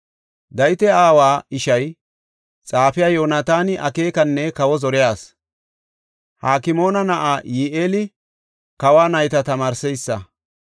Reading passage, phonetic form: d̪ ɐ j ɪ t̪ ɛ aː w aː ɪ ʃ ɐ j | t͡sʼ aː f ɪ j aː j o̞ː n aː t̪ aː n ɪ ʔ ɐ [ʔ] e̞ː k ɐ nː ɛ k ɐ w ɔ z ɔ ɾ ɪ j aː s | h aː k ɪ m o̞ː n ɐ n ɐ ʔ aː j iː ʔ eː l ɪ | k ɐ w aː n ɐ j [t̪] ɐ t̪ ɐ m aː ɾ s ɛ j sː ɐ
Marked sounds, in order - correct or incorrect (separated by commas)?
incorrect, correct